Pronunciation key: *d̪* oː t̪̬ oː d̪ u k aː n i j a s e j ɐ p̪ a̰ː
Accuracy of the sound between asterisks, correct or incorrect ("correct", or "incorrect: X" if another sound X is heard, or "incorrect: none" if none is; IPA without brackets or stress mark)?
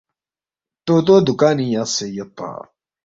incorrect: t̪